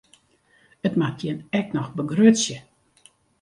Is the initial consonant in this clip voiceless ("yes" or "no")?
yes